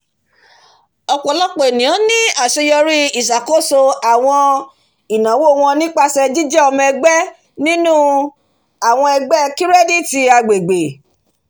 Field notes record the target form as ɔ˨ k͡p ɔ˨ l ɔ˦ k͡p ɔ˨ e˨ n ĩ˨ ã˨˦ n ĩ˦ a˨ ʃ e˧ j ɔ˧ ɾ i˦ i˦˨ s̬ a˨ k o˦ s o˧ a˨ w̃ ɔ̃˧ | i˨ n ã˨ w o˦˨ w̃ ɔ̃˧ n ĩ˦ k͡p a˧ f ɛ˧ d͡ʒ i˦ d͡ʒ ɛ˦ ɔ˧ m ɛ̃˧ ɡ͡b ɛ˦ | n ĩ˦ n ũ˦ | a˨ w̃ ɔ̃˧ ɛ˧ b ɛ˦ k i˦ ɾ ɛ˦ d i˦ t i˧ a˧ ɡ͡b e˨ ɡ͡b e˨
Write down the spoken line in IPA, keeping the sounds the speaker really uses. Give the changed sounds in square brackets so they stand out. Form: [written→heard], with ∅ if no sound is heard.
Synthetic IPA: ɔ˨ k͡p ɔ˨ l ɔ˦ k͡p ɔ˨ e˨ n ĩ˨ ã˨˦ n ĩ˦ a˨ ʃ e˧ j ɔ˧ ɾ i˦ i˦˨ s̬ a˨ k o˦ s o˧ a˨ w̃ ɔ̃˧ | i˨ n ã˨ w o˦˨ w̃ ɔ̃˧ n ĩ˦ k͡p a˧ [f→s] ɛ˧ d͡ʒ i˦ d͡ʒ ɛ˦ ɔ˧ m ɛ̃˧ ɡ͡b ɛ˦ | n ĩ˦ n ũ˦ | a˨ w̃ ɔ̃˧ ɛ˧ [b→ɡ͡b] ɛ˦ k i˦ ɾ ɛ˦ d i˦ t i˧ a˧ ɡ͡b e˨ ɡ͡b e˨